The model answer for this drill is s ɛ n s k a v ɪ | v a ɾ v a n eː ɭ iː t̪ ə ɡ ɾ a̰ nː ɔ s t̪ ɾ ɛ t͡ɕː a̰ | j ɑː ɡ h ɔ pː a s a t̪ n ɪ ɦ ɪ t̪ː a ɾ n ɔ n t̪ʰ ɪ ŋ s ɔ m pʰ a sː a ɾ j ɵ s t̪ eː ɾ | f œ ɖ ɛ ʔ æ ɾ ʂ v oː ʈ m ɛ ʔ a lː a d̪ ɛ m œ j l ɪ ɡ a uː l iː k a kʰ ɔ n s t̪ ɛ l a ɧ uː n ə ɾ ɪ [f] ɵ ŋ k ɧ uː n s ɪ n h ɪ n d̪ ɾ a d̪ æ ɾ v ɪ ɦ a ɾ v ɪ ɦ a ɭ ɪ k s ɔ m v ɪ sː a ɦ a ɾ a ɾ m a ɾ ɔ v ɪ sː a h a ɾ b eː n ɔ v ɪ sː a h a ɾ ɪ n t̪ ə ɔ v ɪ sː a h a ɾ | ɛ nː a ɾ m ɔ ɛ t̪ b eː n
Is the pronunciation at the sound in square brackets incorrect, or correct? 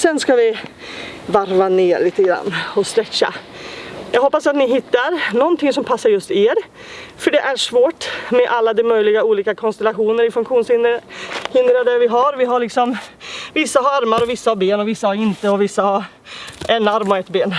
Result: correct